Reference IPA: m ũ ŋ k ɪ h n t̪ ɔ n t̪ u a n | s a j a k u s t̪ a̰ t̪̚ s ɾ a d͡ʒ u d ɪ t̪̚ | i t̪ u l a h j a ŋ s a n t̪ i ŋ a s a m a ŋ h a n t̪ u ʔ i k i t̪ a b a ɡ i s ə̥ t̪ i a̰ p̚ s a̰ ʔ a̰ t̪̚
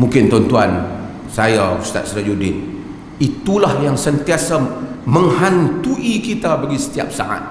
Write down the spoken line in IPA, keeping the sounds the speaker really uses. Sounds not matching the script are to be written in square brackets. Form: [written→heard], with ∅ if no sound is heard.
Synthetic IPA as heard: m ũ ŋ k ɪ [h→∅] n t̪ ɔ n t̪ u a n | s a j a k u s t̪ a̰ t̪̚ s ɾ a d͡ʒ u d ɪ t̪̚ | i t̪ u l a h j a ŋ s [a→ə] n t̪ i [ŋ→∅] a s a m [a→ə] ŋ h a n t̪ u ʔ i k i t̪ a b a ɡ i s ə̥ t̪ i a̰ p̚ s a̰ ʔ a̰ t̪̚